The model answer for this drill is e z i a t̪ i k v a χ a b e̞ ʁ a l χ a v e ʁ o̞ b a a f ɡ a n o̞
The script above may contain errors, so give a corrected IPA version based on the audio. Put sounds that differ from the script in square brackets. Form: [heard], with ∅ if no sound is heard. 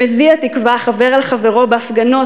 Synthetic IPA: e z i a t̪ i k v a χ a [v] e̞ ʁ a l χ a v e ʁ o̞ b [e] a f ɡ a n o̞